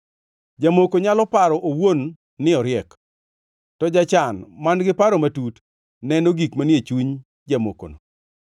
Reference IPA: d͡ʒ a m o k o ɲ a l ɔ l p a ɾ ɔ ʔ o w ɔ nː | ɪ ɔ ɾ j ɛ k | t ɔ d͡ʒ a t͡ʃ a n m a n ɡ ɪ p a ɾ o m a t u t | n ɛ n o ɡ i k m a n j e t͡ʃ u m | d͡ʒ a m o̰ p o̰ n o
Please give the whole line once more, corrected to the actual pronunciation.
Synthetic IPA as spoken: d͡ʒ a m o k o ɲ a l ɔ p a ɾ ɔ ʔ o w o nː | ɪ ɔ ɾ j ɛ k | t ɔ d͡ʒ a t͡ʃ a n m a n ɡ ɪ p a ɾ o m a t u t | n ɛ n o ɡ i k m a n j e t͡ʃ u ɲ | d͡ʒ a m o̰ k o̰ n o